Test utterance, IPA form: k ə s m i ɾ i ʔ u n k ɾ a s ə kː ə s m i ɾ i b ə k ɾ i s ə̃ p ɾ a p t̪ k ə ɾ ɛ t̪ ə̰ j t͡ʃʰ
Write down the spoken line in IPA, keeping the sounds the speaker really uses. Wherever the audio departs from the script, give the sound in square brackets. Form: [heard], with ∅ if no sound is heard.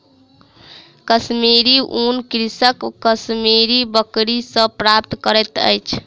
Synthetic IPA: k ə s m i ɾ i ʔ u n k ɾ [i] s ə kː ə s m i ɾ i b ə k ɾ i s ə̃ p ɾ a p t̪ k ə ɾ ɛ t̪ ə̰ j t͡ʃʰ